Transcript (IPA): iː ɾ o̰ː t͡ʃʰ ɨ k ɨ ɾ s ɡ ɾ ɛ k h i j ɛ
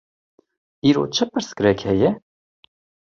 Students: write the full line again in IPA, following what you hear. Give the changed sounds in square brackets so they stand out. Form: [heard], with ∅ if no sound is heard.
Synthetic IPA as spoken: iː ɾ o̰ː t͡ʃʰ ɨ [p] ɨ ɾ s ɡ ɾ ɛ k h [ɛ] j ɛ